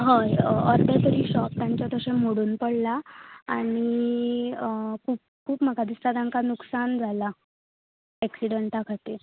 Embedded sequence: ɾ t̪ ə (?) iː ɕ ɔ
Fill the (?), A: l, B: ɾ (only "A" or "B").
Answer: B